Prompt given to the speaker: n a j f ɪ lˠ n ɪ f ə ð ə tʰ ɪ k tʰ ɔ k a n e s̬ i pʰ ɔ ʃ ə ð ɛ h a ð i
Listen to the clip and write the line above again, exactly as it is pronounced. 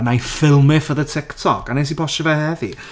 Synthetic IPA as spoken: n a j f ɪ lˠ m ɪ f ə ð ə tʰ ɪ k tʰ ɔ k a n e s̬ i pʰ ɔ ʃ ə v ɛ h ɛ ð i